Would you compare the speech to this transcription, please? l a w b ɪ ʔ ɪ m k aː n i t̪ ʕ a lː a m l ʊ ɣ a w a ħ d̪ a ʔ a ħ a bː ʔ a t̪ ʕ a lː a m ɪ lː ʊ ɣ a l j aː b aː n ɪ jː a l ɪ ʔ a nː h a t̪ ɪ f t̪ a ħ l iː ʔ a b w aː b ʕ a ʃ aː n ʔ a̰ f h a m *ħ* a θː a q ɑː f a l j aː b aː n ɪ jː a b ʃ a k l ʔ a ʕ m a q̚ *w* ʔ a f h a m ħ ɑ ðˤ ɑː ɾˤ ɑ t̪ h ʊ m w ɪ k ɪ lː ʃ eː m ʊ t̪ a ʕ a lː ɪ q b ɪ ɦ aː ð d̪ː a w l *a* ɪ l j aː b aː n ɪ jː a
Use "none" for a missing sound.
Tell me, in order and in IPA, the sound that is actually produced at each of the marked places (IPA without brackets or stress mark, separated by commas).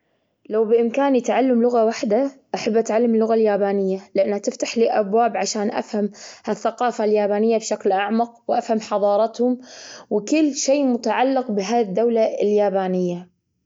h, w, a